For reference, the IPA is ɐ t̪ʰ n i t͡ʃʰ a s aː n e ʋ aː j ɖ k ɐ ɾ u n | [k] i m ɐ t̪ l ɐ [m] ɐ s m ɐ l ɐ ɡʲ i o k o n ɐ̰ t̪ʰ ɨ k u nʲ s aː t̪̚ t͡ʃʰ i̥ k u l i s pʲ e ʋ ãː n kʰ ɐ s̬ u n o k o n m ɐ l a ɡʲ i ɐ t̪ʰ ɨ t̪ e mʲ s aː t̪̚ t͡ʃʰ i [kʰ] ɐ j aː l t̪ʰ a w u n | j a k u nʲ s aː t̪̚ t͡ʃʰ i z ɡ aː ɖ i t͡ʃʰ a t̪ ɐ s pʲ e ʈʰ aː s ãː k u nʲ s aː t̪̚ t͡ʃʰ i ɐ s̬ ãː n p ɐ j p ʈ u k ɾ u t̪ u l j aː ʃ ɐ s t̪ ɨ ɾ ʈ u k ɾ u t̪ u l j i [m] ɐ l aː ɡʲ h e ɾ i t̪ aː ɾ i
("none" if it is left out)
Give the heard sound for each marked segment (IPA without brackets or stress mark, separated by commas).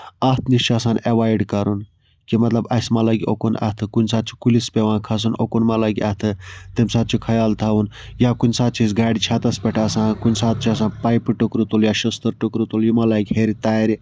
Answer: k, b, kʰ, m